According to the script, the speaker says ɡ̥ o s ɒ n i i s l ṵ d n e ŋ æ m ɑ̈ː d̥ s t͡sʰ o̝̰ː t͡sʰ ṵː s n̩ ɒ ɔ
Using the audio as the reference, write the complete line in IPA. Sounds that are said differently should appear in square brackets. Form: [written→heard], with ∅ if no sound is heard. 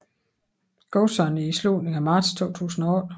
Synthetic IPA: ɡ̥ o s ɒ n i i s l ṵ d n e ŋ æ m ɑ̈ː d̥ s t͡sʰ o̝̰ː t͡sʰ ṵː s n̩ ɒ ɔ